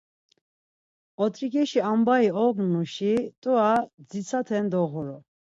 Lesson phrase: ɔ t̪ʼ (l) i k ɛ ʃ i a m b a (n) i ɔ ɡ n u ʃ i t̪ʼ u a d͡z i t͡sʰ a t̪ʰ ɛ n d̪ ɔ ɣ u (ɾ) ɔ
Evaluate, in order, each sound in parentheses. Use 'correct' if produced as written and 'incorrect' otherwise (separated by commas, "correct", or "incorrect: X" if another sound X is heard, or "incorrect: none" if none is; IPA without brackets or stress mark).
incorrect: ɾ, incorrect: none, correct